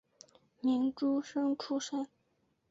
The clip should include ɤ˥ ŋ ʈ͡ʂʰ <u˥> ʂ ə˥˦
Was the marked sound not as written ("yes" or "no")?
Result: no